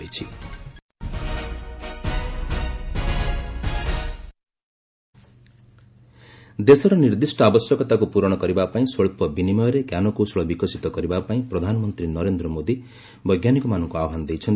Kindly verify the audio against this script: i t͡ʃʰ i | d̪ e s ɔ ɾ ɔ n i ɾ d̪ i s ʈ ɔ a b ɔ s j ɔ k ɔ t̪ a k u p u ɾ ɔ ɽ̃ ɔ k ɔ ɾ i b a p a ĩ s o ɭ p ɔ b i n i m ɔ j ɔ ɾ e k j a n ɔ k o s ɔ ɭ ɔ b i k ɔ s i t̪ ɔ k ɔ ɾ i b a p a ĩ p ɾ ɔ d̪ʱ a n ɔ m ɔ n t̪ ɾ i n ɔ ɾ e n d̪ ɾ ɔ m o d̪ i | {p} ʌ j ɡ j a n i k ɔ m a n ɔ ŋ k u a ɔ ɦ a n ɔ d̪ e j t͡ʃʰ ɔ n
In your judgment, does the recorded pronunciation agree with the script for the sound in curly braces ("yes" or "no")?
no